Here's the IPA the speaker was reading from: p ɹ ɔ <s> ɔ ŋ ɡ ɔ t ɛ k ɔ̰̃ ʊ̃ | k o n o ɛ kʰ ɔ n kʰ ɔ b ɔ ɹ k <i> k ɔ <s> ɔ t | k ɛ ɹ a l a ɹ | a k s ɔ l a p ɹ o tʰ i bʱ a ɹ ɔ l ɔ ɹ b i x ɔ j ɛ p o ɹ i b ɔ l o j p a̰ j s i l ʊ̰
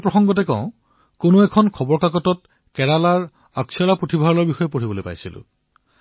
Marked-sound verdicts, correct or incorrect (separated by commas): incorrect, incorrect, incorrect